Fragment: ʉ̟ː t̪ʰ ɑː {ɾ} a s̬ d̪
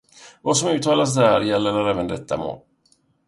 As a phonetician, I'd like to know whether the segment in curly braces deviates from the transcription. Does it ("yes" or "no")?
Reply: yes